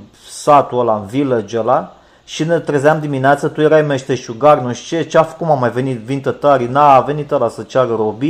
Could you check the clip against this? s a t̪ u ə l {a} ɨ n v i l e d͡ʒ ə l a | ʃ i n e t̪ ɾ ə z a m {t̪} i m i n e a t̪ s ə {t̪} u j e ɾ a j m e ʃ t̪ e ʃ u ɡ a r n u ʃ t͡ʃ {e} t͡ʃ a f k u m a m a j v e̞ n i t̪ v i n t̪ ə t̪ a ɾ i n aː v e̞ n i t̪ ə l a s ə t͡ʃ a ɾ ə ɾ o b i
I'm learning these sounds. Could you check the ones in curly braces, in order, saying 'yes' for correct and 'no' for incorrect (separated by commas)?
yes, no, yes, yes